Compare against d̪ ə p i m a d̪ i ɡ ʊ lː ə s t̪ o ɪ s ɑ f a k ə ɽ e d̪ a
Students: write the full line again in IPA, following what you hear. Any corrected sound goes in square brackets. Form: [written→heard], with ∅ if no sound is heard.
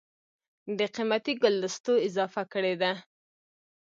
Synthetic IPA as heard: d̪ ə [p→q] i m a [d̪→t̪] i ɡ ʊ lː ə s t̪ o ɪ [s→z] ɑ f a k ə ɽ e d̪ a

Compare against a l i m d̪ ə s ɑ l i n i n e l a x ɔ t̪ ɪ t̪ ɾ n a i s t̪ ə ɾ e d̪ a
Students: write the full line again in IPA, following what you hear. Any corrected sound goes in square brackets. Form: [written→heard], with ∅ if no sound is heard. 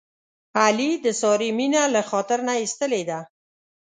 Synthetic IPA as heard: a l i [m→∅] d̪ ə s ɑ [l→ɾ] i [n→m] i n [e→a] l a x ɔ t̪ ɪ [t̪→∅] ɾ n a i s t̪ ə [ɾ→l] e d̪ a

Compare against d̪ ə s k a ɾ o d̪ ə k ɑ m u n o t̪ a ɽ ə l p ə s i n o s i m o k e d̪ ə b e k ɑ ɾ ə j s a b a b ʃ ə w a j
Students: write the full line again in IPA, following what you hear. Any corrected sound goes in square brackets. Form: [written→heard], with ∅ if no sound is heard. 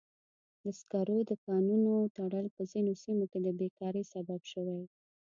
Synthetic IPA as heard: d̪ ə s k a ɾ o d̪ ə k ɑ [m→n] u n o t̪ a ɽ ə l p ə [s→z] i n o s i m o k e d̪ ə b e k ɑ ɾ ə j s a b a b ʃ ə w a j

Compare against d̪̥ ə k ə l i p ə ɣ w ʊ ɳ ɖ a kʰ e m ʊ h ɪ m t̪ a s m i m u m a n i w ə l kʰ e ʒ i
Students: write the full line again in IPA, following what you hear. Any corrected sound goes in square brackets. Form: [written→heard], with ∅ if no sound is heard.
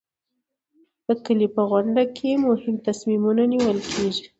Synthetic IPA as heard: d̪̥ ə k ə l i p ə ɣ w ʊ ɳ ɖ a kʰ e m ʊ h ɪ m t̪ a s m i m u [m→n] a n i w ə l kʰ e ʒ i

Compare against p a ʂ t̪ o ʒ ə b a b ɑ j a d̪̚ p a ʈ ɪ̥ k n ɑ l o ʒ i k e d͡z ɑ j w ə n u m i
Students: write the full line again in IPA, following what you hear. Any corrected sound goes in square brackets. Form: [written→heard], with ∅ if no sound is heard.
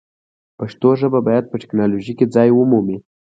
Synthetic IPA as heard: p a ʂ t̪ o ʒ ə b a b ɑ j a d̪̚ p [a→ə] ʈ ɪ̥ k n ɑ l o ʒ i k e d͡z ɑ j w ə [n→m] u m i

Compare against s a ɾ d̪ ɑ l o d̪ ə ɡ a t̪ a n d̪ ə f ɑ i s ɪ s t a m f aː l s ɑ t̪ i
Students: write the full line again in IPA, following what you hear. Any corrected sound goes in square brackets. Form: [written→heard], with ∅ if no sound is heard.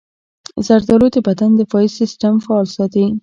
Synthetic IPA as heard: [s→z] a ɾ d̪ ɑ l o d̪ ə [ɡ→b] a [t̪→d̪] a n d̪ ə f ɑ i s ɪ s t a m f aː l s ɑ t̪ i

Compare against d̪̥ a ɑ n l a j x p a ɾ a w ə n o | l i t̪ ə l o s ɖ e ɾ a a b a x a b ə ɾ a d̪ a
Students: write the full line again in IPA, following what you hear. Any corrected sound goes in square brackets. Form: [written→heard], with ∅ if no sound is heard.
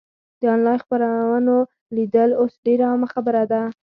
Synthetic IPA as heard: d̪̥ [a→ə] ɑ n l [a→ɑ] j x p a ɾ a w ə n o | l i [t̪→d̪] ə l o s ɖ e ɾ a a [b→m] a x a b ə ɾ a d̪ a

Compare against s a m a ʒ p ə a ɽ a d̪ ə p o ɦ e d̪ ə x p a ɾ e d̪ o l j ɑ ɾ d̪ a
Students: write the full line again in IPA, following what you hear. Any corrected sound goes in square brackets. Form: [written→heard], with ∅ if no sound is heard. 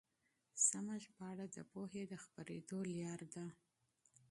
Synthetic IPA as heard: s a m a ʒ p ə a ɽ a d̪ ə p o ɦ e d̪ ə x p a ɾ e d̪ o l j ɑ ɾ d̪ a

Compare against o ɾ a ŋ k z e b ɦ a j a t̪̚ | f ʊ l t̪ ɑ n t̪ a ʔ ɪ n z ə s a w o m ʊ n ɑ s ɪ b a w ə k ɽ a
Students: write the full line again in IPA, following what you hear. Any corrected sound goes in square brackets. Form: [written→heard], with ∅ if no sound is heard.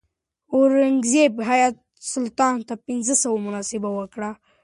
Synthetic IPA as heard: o ɾ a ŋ [k→ɡ] z e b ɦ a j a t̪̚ | [f→s] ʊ l t̪ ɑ n t̪ a [ʔ→p] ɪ n z ə s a w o m ʊ n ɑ s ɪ b a w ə k ɽ a

